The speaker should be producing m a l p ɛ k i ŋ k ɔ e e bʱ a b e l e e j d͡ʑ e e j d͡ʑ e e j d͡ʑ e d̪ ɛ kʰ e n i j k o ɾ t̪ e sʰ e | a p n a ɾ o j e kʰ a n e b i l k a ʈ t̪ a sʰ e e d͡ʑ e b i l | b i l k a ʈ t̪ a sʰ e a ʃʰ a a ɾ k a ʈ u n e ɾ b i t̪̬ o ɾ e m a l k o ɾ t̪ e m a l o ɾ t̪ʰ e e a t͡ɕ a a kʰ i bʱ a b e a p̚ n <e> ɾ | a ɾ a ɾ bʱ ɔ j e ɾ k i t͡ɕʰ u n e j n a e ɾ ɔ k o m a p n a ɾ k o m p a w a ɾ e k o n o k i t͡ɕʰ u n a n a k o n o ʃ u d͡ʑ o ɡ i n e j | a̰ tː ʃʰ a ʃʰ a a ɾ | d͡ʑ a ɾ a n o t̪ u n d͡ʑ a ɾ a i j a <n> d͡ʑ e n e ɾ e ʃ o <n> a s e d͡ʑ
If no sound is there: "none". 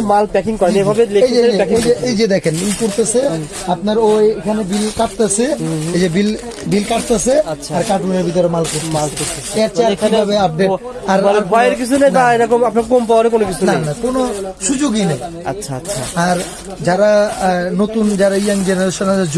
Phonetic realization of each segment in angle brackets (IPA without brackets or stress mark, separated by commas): e, ŋ, n